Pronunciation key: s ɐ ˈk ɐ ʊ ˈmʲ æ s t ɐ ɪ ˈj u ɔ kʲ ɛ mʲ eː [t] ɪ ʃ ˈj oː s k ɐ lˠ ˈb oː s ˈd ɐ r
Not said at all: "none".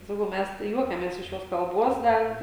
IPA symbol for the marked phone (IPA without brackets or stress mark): s